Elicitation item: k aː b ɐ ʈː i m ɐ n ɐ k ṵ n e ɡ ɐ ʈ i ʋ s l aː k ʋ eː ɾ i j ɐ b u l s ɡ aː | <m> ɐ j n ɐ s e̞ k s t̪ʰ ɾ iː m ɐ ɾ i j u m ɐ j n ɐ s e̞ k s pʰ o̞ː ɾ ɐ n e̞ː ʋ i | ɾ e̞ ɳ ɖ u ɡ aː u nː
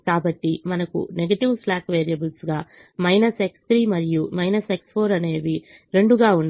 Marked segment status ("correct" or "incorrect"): correct